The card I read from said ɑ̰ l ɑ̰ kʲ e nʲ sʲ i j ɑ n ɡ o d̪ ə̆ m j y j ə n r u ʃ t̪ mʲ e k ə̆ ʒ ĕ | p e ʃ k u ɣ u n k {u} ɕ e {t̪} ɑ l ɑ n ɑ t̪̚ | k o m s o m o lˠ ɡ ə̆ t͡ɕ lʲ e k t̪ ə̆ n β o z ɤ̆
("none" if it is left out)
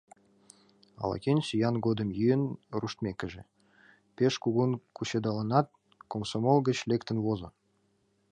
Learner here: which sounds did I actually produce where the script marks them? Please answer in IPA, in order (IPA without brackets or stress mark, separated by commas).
u, d̪